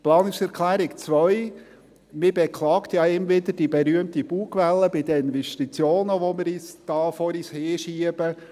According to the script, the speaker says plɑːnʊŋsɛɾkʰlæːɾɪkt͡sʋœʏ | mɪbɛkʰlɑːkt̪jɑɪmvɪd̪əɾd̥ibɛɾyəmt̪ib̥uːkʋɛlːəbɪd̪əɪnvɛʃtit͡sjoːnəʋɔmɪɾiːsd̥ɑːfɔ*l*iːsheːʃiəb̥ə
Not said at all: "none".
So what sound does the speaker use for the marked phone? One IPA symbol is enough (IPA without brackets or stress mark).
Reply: ɾ